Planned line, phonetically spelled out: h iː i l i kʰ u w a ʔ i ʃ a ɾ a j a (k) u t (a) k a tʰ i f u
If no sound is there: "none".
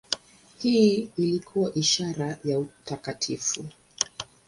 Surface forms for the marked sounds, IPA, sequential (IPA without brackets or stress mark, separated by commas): none, a